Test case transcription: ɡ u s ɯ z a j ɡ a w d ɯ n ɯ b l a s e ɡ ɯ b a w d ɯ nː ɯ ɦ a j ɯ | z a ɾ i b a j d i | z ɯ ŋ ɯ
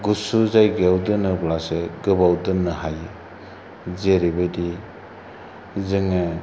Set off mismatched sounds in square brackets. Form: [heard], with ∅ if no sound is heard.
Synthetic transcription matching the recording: ɡ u s [u] z a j ɡ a w d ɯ n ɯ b l a s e ɡ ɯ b a w d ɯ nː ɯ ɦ a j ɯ | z [e] ɾ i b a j d i | z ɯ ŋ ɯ